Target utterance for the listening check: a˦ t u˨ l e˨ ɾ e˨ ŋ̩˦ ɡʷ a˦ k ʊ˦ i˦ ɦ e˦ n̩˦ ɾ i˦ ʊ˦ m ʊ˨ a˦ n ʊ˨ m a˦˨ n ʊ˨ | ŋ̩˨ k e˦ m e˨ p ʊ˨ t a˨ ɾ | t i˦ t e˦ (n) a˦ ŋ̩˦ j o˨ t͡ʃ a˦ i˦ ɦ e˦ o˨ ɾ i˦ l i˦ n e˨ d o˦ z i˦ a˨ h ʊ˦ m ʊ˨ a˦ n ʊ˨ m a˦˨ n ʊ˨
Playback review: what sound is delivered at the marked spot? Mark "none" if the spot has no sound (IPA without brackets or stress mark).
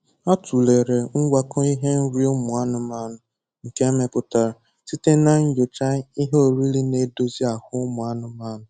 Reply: n